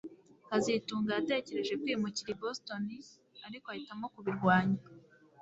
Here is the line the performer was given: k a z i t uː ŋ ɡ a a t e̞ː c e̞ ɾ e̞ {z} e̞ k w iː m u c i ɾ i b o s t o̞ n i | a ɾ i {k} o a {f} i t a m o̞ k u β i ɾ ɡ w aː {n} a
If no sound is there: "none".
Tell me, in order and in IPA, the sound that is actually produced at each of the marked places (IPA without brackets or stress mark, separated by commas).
ʒ, k, h, ɲ